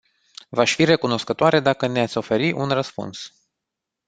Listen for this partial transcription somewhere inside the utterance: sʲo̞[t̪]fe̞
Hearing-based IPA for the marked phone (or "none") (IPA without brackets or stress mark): none